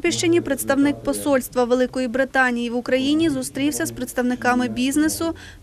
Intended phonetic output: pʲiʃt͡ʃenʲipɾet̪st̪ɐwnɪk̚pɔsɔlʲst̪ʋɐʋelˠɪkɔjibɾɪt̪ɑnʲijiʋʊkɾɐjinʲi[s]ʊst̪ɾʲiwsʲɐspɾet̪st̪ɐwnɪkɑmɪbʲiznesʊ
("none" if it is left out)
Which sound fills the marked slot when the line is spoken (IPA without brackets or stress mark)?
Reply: z